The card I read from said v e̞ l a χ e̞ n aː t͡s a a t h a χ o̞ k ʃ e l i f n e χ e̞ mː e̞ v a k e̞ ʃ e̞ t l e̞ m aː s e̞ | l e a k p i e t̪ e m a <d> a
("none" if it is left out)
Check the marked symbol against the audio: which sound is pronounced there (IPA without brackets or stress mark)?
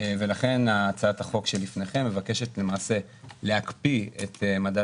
d